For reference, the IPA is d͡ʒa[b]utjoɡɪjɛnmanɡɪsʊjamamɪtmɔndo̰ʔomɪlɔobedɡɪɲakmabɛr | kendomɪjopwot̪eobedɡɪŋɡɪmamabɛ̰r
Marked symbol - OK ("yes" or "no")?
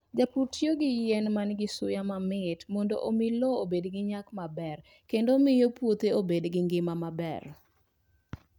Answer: no